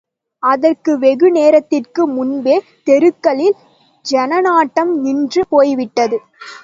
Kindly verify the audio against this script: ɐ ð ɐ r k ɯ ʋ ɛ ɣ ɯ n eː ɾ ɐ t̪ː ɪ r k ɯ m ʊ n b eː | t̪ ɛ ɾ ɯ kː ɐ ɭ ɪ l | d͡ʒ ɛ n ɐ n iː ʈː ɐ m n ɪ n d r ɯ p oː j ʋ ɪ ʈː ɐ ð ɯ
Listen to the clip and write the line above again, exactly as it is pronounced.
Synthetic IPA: ɐ ð ɐ r k ɯ ʋ ɛ ɣ ɯ n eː ɾ ɐ t̪ː ɪ r k ɯ m ʊ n b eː | t̪ ɛ ɾ ɯ kː ɐ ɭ ɪ l | d͡ʒ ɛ n ɐ n aː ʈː ɐ m n ɪ n d r ɯ p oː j ʋ ɪ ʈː ɐ ð ɯ

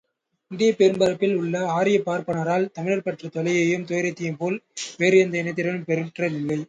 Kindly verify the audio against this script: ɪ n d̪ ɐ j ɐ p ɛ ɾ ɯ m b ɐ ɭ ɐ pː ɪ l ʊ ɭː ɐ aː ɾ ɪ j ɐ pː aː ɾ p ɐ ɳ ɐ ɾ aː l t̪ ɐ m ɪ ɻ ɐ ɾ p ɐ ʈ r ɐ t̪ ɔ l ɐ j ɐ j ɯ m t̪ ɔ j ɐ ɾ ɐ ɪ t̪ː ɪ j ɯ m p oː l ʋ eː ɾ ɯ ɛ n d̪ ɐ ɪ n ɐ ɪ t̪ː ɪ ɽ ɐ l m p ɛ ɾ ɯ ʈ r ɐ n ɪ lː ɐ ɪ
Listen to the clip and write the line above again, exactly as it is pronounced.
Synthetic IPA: ɪ n d̪ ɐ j ɐ p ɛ ɾ ɯ m b ɐ ɾ ɐ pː ɪ l ʊ ɭː ɐ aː ɾ ɪ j ɐ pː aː ɾ p ɐ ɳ ɐ ɾ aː l t̪ ɐ m ɪ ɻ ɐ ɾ p ɐ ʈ r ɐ t̪ ɔ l ɐ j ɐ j ɯ m t̪ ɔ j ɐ ɾ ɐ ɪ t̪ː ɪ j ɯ m p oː l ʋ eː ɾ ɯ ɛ n d̪ ɐ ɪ n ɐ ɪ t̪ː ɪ ɾ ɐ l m p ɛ ɾ ɯ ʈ r ɐ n ɪ lː ɐ ɪ

